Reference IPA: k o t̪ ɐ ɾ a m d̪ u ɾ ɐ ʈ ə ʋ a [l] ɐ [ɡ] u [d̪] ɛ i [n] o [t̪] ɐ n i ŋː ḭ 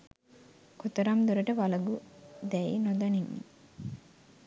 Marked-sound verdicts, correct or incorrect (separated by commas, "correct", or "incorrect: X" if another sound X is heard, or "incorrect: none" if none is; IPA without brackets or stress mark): correct, correct, correct, correct, incorrect: d̪